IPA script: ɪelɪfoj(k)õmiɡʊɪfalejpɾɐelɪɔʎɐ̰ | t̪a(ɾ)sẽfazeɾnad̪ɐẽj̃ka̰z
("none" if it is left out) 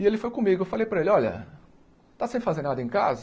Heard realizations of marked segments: k, none

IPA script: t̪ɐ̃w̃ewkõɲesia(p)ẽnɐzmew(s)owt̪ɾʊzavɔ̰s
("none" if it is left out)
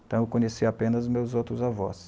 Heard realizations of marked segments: p, z

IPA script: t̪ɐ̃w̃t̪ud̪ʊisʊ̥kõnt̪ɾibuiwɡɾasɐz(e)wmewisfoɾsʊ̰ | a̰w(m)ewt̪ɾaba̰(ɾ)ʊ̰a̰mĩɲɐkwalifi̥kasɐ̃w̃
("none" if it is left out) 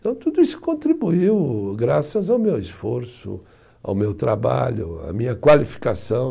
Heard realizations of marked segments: a, m, ʎ

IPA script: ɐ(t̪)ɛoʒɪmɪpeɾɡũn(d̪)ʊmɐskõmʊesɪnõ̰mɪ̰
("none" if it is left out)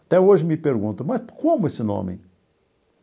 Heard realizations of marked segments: t̪, t̪

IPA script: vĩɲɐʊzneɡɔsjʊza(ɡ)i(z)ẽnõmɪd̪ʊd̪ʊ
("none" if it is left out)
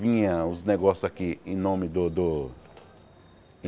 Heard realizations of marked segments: k, none

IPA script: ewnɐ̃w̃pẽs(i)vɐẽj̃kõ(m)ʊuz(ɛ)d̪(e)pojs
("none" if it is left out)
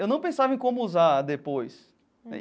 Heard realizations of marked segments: a, m, a, e

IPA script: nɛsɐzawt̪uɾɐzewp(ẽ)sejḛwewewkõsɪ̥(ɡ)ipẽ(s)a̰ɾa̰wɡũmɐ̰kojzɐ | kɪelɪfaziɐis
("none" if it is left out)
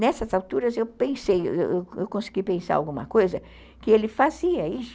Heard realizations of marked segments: ẽ, ɡ, s

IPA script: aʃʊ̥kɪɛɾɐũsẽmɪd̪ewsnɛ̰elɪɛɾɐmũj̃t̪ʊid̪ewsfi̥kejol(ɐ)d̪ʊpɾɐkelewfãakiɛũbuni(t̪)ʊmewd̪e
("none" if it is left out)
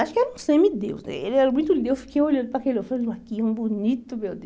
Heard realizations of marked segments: ɐ̃, t̪

